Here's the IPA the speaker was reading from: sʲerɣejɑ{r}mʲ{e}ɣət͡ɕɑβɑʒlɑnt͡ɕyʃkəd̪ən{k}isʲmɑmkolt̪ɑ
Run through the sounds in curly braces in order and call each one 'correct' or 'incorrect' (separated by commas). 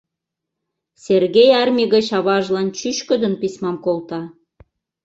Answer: correct, incorrect, incorrect